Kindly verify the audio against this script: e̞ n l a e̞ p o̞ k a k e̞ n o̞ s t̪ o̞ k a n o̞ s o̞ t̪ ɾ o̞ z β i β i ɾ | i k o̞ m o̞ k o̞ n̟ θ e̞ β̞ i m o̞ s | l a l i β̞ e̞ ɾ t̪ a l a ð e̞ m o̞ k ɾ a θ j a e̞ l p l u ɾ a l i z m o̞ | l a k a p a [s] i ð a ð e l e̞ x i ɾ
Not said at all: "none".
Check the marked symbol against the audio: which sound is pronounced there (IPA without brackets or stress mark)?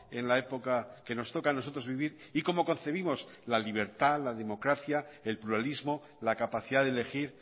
θ